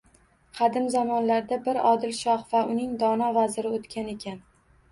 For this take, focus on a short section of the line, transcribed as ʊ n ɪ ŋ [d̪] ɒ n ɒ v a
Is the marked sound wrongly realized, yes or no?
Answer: no